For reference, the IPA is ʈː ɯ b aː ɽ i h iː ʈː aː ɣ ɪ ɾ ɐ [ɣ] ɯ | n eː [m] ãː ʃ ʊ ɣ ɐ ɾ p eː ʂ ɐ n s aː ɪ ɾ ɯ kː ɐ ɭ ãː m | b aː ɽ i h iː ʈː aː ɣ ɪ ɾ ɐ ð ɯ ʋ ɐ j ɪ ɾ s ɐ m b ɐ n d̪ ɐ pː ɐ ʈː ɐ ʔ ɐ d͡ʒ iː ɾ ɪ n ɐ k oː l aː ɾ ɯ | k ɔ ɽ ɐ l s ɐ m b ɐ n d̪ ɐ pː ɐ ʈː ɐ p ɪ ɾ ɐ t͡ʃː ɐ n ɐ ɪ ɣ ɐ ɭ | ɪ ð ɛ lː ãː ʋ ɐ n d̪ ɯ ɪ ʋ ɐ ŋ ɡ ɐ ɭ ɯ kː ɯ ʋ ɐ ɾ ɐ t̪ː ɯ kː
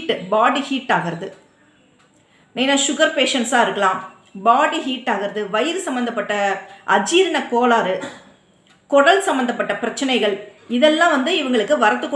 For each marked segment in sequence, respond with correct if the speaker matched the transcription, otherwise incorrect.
incorrect, incorrect

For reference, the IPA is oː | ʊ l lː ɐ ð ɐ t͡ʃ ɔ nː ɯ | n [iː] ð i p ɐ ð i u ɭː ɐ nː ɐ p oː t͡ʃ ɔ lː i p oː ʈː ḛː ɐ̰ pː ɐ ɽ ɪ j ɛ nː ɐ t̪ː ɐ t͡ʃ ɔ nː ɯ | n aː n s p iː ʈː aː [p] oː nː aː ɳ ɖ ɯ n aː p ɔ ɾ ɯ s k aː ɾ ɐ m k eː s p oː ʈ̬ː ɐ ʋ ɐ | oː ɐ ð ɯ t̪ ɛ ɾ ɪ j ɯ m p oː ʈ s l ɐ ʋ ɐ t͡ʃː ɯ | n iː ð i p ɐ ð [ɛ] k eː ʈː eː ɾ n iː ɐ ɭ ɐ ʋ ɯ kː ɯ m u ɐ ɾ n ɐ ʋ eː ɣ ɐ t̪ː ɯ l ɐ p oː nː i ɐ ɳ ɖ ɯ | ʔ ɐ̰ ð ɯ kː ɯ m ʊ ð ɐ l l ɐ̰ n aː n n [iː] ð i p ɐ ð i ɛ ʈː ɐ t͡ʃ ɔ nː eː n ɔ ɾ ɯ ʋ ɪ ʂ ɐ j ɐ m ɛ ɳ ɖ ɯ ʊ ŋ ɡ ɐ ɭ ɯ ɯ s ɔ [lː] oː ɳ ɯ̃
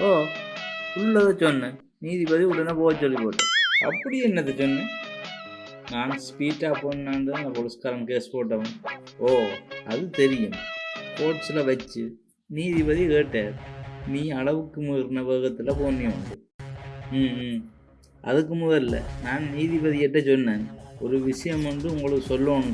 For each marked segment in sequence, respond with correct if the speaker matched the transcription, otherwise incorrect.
correct, correct, incorrect, correct, correct

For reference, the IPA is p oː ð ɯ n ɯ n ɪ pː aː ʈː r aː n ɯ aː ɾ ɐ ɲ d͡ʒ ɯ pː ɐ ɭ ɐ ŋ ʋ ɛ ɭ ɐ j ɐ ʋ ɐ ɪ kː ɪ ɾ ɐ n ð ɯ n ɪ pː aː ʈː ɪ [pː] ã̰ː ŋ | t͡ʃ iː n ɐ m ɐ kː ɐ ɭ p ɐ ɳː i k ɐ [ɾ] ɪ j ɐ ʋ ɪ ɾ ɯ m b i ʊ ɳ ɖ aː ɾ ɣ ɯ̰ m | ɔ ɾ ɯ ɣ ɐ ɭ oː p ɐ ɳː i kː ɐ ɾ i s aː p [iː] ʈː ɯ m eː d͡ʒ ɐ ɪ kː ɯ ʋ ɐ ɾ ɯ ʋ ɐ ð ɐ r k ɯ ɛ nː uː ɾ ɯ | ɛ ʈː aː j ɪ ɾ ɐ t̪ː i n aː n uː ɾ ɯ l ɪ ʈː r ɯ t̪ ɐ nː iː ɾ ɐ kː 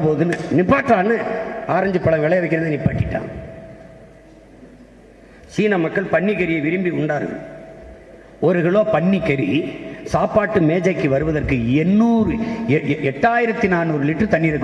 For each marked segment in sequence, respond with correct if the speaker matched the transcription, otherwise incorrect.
incorrect, correct, incorrect

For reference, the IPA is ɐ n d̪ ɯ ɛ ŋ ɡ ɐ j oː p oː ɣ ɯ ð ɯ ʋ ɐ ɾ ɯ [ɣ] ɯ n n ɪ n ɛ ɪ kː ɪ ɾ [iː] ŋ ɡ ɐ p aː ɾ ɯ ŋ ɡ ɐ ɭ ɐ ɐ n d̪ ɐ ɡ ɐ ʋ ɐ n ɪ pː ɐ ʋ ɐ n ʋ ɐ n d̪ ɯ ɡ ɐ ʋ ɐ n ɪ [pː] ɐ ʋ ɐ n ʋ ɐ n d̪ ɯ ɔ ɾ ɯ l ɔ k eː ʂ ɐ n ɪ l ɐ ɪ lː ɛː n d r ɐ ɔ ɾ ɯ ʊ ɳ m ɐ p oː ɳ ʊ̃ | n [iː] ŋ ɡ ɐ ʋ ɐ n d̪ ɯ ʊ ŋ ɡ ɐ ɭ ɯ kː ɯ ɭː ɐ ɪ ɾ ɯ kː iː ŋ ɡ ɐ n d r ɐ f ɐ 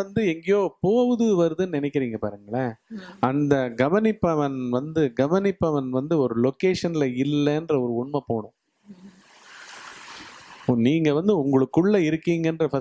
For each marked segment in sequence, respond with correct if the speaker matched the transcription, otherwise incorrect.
incorrect, correct, correct, correct

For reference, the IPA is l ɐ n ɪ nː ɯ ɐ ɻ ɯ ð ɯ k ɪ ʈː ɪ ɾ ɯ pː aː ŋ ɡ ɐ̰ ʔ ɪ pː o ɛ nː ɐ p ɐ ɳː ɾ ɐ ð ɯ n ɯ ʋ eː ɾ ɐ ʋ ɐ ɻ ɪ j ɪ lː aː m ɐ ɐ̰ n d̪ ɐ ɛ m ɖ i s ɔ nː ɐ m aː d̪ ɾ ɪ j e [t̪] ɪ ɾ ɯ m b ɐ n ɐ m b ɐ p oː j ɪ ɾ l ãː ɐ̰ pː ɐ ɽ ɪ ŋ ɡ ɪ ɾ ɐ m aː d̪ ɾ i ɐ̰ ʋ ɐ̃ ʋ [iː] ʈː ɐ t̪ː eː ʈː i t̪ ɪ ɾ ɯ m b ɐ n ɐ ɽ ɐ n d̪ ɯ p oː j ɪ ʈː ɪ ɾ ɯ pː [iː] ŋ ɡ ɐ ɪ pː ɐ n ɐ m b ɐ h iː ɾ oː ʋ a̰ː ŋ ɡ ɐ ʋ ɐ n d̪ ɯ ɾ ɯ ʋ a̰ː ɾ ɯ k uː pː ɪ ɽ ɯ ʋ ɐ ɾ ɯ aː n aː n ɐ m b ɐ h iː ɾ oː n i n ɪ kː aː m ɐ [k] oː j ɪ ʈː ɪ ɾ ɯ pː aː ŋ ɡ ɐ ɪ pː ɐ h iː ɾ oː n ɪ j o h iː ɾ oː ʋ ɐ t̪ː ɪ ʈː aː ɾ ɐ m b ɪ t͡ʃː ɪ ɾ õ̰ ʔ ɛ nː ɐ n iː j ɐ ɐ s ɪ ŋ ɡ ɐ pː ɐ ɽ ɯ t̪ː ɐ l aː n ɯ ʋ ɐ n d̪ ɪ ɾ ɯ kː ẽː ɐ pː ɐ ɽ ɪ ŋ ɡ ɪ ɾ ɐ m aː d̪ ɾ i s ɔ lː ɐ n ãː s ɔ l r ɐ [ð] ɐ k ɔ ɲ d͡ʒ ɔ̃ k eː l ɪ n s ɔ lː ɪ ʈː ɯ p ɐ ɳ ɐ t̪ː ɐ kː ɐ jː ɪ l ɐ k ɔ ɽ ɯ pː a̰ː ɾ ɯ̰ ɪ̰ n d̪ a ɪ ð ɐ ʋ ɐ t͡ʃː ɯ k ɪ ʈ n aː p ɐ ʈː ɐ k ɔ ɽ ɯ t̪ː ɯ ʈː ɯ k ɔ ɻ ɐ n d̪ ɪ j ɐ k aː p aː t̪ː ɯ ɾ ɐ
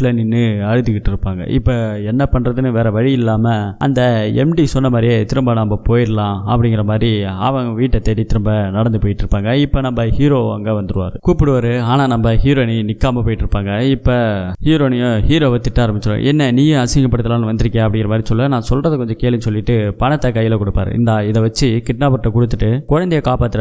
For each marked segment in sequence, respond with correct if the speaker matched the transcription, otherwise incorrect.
correct, correct, incorrect, incorrect, correct

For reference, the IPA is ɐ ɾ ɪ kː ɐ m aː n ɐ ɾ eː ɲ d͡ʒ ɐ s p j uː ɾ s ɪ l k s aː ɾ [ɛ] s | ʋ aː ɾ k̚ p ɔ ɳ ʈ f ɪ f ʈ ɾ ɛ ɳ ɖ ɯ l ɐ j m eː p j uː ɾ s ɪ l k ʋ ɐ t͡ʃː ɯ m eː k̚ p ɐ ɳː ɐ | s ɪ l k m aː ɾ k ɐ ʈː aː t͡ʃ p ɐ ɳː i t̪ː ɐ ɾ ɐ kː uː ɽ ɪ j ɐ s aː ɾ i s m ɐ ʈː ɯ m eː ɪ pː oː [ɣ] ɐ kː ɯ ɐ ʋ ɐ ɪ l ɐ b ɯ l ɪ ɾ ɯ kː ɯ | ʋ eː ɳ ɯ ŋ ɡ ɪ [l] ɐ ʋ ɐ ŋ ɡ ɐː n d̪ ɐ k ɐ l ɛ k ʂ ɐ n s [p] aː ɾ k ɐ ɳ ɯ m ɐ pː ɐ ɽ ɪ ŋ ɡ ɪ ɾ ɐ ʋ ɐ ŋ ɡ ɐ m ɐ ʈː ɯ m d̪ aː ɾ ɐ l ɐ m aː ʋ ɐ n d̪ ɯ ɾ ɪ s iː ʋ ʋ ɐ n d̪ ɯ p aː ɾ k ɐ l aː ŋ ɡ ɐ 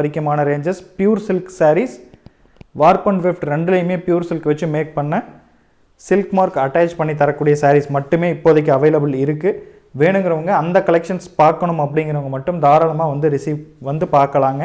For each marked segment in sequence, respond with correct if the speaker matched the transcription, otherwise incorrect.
incorrect, incorrect, incorrect, correct

